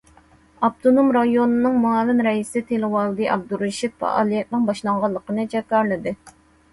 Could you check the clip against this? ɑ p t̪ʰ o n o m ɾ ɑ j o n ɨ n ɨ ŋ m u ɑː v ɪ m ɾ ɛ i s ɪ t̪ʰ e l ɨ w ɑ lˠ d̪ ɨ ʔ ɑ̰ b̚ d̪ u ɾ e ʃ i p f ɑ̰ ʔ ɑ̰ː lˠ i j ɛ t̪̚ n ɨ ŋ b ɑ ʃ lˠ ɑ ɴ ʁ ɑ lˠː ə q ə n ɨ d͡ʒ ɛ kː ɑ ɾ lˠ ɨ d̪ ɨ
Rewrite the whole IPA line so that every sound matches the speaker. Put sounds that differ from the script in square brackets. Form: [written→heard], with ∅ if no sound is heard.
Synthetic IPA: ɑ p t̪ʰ o n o m ɾ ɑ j o n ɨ n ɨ ŋ m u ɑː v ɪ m ɾ ɛ i s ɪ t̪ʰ e l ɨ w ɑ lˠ d̪ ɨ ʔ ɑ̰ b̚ d̪ u ɾ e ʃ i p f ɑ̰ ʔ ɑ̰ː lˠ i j ɛ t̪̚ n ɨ ŋ b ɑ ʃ lˠ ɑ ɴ ʁ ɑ lˠː ə q ə n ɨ d͡ʒ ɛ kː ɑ ɾ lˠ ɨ d̪ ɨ